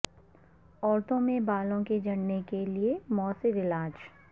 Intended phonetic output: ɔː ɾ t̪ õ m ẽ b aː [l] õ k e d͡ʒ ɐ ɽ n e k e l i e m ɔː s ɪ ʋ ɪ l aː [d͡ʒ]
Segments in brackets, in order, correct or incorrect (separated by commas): correct, correct